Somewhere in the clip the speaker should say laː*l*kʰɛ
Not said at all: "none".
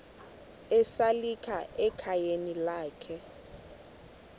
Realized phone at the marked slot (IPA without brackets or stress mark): none